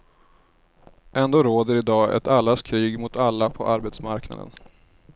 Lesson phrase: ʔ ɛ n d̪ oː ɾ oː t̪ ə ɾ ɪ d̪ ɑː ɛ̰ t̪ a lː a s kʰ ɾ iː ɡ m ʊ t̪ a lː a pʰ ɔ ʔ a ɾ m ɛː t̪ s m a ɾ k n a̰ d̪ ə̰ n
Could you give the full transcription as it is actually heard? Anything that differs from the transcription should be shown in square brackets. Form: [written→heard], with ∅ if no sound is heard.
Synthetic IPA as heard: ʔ ɛ n d̪ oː ɾ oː [t̪→d̪] ə ɾ ɪ d̪ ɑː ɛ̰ t̪ a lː a s kʰ ɾ iː ɡ m ʊ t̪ a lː a pʰ ɔ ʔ a ɾ [m→b] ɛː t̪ s m a ɾ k n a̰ d̪ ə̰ n